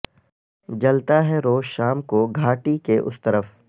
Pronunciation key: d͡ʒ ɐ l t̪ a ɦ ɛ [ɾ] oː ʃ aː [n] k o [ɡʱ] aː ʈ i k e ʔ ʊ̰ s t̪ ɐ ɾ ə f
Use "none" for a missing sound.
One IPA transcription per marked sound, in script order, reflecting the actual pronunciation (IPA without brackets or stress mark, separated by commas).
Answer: ɾ, m, ɡʱ